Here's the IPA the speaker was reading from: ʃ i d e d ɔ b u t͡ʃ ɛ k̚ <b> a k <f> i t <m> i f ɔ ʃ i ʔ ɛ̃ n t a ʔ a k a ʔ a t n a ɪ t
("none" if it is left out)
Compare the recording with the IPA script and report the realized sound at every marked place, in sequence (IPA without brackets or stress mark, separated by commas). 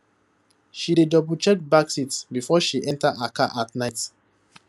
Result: b, s, b